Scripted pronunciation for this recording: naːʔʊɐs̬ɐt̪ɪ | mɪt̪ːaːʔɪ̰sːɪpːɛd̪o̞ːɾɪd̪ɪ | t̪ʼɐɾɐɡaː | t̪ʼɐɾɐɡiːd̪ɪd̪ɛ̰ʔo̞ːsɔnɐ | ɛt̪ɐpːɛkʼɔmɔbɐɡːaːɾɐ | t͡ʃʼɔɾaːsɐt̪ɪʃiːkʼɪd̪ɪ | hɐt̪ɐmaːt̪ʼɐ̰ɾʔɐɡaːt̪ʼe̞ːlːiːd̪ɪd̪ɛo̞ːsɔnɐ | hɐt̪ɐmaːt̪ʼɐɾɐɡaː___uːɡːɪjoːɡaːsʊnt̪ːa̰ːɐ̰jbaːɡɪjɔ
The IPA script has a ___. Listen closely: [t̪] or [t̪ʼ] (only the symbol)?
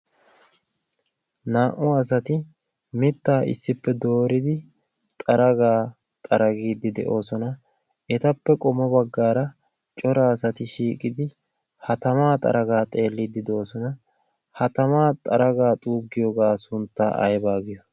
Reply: t̪ʼ